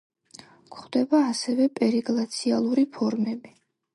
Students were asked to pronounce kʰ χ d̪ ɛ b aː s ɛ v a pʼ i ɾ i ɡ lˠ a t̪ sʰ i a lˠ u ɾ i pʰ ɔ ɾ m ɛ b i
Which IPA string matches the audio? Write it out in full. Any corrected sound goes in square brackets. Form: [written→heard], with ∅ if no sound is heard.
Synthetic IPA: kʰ χ d̪ ɛ b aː s ɛ v [a→ɛ] pʼ [i→ɛ] ɾ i ɡ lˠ a t̪ sʰ i a lˠ u ɾ i pʰ ɔ ɾ m ɛ b i